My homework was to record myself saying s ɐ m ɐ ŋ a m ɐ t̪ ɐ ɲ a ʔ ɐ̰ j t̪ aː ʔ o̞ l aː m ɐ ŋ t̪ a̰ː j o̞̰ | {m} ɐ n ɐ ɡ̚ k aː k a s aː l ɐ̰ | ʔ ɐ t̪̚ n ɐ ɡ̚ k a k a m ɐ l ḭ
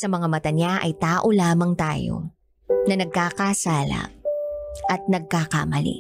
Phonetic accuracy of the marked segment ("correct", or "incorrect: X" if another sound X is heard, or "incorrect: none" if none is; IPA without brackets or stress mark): incorrect: n